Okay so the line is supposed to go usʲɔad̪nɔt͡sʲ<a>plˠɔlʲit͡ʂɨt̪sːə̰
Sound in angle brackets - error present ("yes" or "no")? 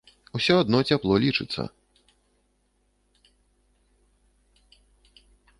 no